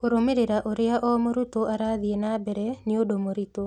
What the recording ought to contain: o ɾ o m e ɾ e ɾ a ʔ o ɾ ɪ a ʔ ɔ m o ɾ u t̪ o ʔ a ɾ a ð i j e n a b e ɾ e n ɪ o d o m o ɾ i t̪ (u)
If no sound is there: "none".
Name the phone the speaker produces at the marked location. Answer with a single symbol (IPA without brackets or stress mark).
o